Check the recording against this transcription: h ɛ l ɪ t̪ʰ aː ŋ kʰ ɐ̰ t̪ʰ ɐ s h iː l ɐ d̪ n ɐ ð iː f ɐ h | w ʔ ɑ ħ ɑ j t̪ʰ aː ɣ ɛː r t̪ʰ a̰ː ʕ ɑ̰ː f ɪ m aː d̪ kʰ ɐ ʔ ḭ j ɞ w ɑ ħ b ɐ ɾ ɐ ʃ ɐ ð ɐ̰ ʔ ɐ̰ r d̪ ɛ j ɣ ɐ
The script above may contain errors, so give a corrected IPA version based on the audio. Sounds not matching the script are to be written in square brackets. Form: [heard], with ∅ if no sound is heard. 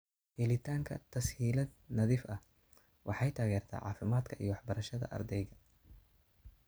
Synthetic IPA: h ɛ l ɪ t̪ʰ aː ŋ kʰ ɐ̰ t̪ʰ ɐ s h iː l ɐ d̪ n ɐ ð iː f ɐ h | w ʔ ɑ ħ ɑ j t̪ʰ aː ɣ ɛː r t̪ʰ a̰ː ʕ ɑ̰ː f ɪ m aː d̪ kʰ ɐ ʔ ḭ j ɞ w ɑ ħ b ɐ ɾ ɐ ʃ ɐ ð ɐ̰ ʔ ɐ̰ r d̪ ɛ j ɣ ɐ